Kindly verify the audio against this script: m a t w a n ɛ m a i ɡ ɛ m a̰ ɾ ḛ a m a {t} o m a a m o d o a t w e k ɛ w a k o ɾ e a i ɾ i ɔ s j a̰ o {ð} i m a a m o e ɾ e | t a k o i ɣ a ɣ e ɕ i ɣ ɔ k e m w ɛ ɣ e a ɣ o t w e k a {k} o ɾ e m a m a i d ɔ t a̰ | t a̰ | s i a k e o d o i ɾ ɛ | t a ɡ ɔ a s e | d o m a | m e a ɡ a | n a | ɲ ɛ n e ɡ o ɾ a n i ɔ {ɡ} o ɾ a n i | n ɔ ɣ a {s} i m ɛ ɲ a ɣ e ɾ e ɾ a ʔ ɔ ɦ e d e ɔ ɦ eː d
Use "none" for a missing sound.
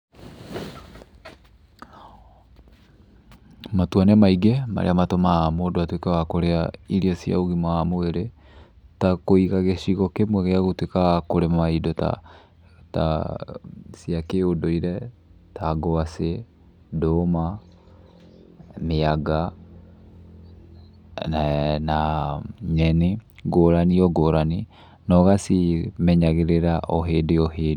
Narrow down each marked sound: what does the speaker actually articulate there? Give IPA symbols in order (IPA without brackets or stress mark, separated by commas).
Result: t, ɣ, k, ɡ, s